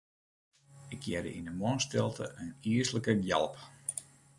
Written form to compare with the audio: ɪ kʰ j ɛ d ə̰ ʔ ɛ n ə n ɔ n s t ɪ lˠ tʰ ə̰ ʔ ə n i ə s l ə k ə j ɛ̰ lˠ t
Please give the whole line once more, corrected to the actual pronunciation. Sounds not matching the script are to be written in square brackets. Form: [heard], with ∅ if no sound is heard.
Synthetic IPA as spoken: ɪ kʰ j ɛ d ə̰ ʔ [i] n ə [m] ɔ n s t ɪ lˠ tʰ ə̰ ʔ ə n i ə s l ə k ə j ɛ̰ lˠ [p]